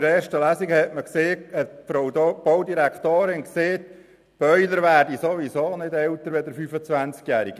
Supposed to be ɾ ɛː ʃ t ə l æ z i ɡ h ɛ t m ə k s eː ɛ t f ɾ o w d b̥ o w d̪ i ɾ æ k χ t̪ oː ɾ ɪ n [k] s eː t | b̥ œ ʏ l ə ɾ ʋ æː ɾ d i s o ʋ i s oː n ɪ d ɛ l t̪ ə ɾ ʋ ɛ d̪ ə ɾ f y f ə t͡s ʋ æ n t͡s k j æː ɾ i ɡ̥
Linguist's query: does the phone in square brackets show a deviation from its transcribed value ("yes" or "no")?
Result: no